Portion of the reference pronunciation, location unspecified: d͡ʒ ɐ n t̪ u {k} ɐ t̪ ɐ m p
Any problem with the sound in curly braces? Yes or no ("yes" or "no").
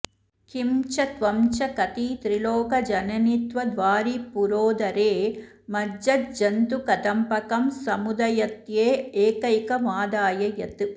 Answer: no